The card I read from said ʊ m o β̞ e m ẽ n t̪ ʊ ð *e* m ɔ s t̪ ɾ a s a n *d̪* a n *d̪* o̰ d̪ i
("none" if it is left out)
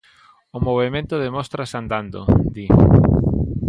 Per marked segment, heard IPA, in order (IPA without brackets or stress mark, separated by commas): e, d̪, d̪